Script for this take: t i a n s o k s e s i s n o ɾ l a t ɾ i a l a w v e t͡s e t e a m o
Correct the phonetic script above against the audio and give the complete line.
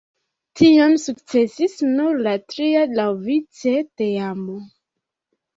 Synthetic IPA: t i a m s u k t͡s e s i s n u ɾ l a t ɾ i a l a w v i t͡s e t e a m o